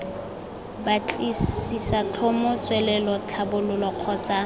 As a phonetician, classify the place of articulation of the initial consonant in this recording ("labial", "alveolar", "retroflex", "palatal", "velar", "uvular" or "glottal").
labial